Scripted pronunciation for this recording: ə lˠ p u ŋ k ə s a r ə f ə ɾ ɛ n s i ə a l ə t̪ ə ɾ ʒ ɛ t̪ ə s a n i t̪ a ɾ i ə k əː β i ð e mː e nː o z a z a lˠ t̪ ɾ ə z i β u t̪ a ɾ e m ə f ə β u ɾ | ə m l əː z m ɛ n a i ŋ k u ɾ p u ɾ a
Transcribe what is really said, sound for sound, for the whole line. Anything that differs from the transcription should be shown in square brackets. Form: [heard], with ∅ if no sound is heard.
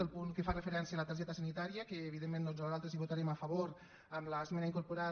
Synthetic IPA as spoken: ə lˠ p u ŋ k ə [f] a r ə f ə ɾ ɛ n s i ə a l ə t̪ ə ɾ ʒ ɛ t̪ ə s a n i t̪ a ɾ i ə k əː β i ð e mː e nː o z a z a lˠ t̪ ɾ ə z i β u t̪ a ɾ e m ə f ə β [o] ɾ | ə m l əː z m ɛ n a i ŋ k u ɾ p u ɾ a